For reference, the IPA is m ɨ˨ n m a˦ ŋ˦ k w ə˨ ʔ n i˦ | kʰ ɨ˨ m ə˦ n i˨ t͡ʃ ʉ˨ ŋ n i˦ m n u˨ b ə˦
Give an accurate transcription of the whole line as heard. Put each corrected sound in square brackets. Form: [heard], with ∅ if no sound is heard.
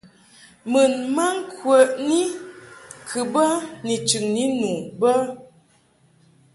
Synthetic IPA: m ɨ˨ n m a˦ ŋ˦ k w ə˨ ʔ n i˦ | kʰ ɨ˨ [b] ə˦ n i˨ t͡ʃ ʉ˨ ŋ n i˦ [∅] n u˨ b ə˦

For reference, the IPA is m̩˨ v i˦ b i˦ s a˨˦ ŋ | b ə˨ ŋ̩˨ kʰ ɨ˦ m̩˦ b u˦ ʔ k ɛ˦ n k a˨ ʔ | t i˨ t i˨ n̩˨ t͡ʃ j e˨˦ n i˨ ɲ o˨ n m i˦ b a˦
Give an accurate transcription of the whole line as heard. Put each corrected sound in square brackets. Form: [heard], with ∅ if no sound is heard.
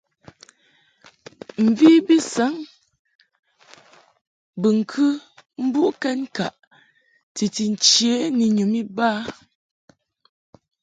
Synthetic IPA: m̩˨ v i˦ b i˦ s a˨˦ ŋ | b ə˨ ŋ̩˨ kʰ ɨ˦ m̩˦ b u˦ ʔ k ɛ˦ n k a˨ ʔ | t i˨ t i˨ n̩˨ t͡ʃ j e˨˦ n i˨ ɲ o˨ [∅] m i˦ b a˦

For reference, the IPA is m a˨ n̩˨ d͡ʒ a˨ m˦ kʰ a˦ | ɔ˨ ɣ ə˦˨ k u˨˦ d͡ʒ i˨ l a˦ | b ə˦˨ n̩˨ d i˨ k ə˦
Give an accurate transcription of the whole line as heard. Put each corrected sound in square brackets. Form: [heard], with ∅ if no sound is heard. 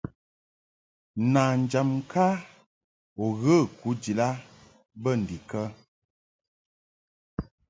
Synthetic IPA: [n] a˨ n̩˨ d͡ʒ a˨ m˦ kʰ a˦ | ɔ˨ ɣ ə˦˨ k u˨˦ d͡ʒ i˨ l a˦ | b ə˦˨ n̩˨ d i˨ k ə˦

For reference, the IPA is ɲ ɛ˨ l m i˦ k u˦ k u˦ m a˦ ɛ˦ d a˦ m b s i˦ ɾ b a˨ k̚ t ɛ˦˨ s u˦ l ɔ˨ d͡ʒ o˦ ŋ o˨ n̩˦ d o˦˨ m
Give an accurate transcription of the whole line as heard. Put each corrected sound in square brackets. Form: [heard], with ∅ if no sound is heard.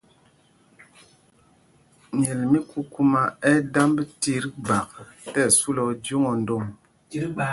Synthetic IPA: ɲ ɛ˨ l m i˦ k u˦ k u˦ m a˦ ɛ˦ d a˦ m b [t] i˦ ɾ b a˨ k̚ t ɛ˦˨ s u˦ l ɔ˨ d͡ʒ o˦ ŋ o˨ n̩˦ d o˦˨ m

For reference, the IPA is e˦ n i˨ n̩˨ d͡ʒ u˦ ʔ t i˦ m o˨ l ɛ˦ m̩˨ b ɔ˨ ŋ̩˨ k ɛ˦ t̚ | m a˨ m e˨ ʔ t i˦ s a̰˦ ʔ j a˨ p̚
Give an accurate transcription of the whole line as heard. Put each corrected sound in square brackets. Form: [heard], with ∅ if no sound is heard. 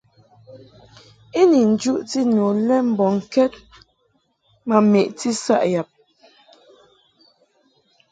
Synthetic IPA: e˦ n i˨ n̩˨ d͡ʒ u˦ ʔ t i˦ [n] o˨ l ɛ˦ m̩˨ b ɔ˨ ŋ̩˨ k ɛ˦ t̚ | m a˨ m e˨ ʔ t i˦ s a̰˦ ʔ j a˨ p̚

